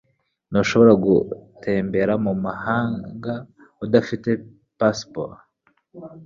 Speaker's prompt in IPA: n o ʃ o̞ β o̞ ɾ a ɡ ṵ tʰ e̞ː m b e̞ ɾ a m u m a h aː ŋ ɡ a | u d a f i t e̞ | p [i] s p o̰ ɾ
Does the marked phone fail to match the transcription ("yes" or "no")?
yes